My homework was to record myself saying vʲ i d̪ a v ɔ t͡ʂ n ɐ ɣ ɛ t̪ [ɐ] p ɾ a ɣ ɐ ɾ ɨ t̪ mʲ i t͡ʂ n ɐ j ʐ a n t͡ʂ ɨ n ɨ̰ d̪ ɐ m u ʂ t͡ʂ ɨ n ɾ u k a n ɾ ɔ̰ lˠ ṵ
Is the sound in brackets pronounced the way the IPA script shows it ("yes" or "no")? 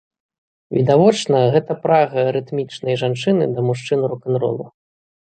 yes